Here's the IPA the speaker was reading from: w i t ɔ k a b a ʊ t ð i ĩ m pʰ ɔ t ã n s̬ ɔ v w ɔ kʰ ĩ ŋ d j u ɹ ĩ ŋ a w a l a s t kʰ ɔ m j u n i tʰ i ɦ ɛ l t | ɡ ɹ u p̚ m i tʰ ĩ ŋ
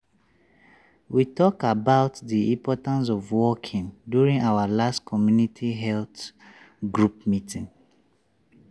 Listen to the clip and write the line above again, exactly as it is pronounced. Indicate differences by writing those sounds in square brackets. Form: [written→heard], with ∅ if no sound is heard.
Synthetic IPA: w i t ɔ k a b a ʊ t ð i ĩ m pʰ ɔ t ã n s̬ ɔ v w ɔ kʰ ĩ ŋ d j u ɹ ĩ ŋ a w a l a s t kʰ ɔ m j u n i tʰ i ɦ ɛ l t | ɡ ɹ u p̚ m i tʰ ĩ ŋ